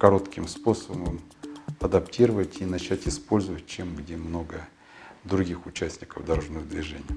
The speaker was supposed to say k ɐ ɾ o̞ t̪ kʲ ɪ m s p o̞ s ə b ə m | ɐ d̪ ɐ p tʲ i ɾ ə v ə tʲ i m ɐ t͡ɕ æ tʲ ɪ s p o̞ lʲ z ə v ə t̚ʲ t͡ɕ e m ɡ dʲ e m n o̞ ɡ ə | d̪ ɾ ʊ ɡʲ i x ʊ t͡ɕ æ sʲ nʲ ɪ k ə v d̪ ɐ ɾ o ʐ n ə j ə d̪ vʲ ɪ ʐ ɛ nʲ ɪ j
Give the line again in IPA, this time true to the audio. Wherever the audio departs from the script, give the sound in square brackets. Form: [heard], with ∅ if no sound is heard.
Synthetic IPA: k ɐ ɾ o̞ t̪ kʲ ɪ m s p o̞ s ə b ə m | ɐ d̪ ɐ p tʲ i ɾ ə v ə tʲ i [n] ɐ t͡ɕ æ tʲ ɪ s p o̞ lʲ z ə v ə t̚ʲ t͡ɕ e m ɡ dʲ e m n o̞ ɡ ə | d̪ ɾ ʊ ɡʲ i x ʊ t͡ɕ æ sʲ nʲ ɪ k ə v d̪ ɐ ɾ o ʐ n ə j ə d̪ vʲ ɪ ʐ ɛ nʲ ɪ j

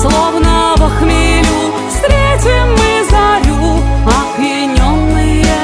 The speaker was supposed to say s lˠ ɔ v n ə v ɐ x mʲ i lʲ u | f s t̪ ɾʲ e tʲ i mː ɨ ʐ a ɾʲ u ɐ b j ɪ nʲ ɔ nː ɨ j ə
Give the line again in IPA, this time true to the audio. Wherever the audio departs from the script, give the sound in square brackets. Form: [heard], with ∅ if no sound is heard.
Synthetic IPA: s lˠ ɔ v n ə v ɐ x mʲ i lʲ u | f s t̪ ɾʲ e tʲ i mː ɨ [z] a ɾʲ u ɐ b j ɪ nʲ ɔ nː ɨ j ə

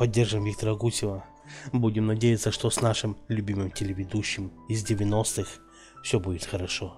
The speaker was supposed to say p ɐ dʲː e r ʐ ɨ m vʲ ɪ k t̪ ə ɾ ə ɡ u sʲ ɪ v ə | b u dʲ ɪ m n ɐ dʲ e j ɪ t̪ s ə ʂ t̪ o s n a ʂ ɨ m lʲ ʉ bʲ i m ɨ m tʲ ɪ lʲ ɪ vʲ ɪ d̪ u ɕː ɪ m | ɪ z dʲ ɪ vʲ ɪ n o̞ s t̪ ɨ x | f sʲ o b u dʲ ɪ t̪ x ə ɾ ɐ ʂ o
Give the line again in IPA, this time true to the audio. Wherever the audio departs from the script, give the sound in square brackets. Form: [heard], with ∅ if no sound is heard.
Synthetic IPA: p ɐ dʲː e r ʐ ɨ m vʲ [i] k t̪ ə ɾ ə ɡ u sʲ ɪ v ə | b u dʲ ɪ m n ɐ dʲ e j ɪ t̪ s ə ʂ t̪ o s n a ʂ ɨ m lʲ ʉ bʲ i m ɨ m tʲ ɪ lʲ ɪ vʲ ɪ d̪ u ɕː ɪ m | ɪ z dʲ ɪ vʲ ɪ n o̞ s t̪ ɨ x | f sʲ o b u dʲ ɪ t̪ x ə ɾ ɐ ʂ o

